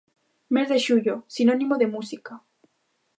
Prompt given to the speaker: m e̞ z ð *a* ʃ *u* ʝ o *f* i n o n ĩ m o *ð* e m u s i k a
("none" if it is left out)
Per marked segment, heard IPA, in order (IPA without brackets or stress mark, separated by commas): e, u, s, ð